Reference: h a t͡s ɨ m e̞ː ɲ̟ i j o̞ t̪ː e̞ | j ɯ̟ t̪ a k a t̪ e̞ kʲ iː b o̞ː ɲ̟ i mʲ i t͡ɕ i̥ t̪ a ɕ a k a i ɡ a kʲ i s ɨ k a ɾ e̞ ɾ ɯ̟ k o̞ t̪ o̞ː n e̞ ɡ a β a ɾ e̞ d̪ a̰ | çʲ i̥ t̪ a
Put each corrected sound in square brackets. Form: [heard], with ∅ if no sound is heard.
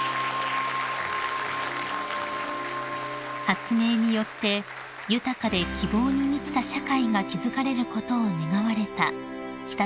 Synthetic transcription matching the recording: h a t͡s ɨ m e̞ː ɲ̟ i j o̞ t̪ː e̞ | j ɯ̟ t̪ a k a [d̪] e̞ kʲ [i] b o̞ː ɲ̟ i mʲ i t͡ɕ i̥ t̪ a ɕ a k a i ɡ a kʲ i [z] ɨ k a ɾ e̞ ɾ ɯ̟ k o̞ t̪ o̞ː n e̞ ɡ a β a ɾ e̞ [t̪] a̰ | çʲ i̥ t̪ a